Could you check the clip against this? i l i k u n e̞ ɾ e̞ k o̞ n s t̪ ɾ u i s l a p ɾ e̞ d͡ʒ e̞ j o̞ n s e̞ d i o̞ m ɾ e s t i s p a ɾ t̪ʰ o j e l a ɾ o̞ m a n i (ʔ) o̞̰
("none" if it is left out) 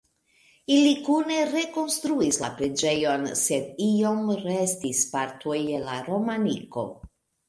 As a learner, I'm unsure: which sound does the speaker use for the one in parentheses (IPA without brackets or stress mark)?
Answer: k